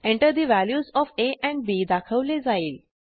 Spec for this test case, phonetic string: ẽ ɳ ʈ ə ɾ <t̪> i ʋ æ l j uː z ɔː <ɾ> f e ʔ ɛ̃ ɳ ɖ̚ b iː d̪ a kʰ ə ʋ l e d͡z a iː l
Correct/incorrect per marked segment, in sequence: incorrect, incorrect

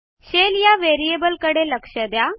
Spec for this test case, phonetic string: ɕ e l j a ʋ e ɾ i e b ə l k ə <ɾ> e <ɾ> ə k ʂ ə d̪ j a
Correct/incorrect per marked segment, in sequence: incorrect, incorrect

